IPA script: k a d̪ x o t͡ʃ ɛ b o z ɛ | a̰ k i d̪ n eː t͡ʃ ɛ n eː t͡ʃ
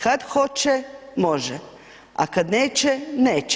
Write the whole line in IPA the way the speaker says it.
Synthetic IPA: k a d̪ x o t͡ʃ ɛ m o ʒ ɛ | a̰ k a d̪ n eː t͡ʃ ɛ n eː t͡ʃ